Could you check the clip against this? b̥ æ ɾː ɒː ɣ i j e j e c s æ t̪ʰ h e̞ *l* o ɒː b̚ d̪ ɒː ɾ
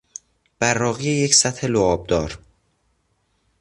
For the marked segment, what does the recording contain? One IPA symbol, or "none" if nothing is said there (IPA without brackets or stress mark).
l